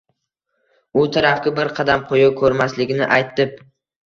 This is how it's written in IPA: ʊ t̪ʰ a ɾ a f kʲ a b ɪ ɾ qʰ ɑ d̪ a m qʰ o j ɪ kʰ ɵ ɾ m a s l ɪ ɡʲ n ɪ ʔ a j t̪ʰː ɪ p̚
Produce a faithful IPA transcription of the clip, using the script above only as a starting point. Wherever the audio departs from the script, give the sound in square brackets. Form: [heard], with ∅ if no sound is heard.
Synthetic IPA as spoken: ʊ t̪ʰ a ɾ a f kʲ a b ɪ ɾ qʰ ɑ d̪ a m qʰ o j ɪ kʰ ɵ ɾ m a s l ɪ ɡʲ n ɪ ʔ a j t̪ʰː ɪ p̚

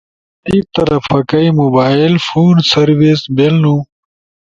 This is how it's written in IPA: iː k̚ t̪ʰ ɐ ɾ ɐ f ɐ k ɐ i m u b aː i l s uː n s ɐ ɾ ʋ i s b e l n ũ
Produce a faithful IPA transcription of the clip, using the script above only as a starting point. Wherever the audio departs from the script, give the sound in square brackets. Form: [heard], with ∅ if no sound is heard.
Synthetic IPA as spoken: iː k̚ [t̪] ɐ ɾ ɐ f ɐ k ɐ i m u b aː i l [f] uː n s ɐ ɾ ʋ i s b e l n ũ

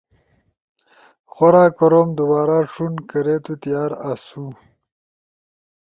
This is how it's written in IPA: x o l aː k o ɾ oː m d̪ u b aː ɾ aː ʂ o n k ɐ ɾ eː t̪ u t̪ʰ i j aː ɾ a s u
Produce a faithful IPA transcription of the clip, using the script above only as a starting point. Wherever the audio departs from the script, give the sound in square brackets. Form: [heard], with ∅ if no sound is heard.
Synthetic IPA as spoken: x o [ɾ] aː k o ɾ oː m d̪ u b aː ɾ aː ʂ [u] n k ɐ ɾ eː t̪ u [t̪] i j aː ɾ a s u

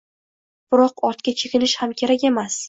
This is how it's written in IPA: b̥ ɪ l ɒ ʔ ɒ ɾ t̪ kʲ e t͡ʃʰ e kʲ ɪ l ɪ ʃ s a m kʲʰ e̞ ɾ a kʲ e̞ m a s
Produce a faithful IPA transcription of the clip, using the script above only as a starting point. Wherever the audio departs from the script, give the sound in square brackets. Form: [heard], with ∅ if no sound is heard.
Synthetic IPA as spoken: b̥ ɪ [ɾ] ɒ [q] ɒ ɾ t̪ kʲ [a] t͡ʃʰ e kʲ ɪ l ɪ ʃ [h] a m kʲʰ e̞ ɾ a kʲ e̞ m a s

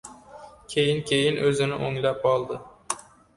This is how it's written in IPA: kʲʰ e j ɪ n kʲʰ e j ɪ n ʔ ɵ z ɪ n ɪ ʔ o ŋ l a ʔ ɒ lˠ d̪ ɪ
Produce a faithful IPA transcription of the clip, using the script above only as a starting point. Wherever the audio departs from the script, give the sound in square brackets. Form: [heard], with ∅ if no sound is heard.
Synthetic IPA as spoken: kʲʰ e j ɪ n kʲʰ e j ɪ n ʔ ɵ z ɪ n ɪ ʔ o ŋ l a [p] ɒ lˠ d̪ ɪ

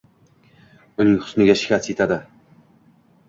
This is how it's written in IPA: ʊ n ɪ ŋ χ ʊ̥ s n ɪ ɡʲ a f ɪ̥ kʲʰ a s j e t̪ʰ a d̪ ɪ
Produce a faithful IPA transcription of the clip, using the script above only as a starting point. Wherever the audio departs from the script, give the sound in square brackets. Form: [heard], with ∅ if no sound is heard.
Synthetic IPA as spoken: ʊ n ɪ ŋ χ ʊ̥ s n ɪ ɡʲ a [ʃ] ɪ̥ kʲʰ a s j e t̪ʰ a d̪ ɪ

